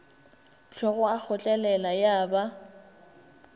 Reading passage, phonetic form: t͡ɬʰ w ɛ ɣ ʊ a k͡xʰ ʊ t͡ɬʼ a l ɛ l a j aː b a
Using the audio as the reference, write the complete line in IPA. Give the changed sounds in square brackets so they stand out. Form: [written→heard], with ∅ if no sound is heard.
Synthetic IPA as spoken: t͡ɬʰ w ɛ ɣ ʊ a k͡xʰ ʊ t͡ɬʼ [a→ɛ] l ɛ l a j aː b a